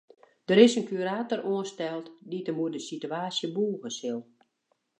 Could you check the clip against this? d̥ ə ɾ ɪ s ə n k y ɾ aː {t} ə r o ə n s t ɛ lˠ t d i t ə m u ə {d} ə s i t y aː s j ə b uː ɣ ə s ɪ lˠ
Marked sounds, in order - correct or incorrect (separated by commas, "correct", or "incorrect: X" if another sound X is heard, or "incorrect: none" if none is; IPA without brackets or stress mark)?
correct, correct